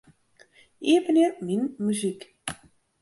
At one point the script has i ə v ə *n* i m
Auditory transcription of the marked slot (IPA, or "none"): n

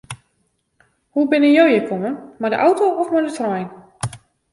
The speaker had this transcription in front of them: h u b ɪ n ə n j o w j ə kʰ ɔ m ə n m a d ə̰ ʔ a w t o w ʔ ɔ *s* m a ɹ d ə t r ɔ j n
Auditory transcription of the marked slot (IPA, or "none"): f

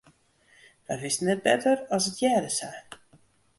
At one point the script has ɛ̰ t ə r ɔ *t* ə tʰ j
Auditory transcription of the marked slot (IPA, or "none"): s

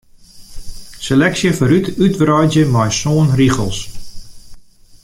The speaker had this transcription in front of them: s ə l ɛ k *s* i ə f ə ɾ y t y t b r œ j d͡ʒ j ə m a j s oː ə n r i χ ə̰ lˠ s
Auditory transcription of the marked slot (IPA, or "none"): s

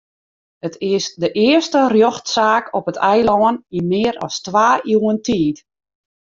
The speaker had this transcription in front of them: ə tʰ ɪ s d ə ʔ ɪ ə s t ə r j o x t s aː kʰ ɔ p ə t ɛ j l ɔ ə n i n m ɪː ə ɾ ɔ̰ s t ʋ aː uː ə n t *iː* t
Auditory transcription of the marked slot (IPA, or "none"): iː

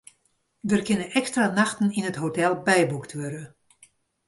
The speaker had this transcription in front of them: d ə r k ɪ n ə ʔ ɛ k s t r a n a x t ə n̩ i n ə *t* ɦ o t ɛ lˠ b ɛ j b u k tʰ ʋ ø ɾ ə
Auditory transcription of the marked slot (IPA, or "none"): t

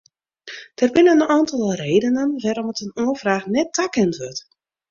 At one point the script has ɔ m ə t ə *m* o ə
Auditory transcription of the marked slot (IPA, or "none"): n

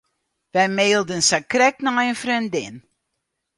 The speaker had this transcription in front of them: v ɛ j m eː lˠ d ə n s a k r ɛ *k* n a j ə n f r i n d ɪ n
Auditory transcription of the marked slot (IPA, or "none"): k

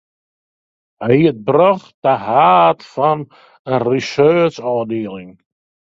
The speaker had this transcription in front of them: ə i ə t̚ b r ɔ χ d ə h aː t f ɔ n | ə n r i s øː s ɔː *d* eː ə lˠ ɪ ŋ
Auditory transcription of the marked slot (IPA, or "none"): d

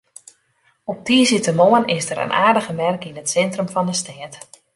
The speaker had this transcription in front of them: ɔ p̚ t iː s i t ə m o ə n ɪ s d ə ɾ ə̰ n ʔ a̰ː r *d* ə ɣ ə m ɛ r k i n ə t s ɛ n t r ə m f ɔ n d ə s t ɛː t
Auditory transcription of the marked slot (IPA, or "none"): d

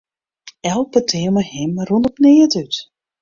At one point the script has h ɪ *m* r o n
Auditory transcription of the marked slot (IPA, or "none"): m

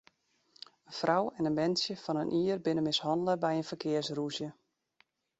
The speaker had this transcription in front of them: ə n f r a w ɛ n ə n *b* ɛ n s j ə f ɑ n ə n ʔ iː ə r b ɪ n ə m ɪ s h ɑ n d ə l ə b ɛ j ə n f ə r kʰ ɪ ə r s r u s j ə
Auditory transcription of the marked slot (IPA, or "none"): m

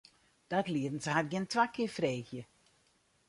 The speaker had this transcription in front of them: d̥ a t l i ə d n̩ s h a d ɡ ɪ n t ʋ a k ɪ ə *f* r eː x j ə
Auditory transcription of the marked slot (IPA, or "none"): f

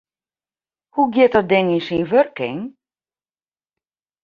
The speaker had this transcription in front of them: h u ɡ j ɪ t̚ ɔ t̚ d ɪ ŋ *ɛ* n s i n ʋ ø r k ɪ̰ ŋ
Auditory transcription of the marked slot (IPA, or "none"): i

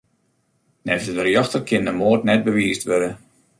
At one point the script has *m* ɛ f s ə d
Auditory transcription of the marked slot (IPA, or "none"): n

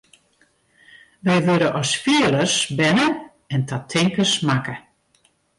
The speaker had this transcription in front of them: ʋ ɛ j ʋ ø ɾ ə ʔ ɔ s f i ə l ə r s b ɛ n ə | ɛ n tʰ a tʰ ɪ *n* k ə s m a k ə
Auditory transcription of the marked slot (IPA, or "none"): ŋ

